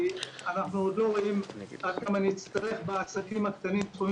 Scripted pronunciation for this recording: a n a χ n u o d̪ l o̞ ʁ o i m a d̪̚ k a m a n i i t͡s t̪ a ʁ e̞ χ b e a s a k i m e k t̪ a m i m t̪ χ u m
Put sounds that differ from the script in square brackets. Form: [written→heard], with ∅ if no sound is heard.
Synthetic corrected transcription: a n a χ n u o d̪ l o̞ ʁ o i m a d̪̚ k a m a n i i t͡s t̪ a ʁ e̞ χ b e a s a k i m [e→a] k t̪ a [m→n] i m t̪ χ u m